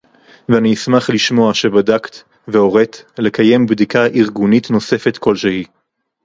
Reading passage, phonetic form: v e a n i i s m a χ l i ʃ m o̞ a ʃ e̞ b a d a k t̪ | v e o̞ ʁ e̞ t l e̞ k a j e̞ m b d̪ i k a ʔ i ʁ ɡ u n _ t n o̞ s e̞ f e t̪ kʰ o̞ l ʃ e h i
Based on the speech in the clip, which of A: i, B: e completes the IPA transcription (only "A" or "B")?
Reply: A